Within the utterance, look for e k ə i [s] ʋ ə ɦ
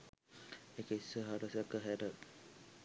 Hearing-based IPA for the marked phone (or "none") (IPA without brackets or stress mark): s